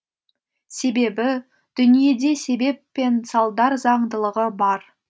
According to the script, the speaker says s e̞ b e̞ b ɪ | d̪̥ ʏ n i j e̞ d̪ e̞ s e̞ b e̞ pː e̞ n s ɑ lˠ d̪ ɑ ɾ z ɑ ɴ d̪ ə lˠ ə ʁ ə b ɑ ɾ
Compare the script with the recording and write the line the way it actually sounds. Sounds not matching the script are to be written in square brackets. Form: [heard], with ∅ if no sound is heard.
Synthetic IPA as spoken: s e̞ b e̞ b ɪ | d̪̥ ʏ n i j e̞ d̪ e̞ s e̞ b e̞ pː e̞ n s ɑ lˠ d̪ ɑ ɾ z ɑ ɴ d̪ ə lˠ ə ʁ ə b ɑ ɾ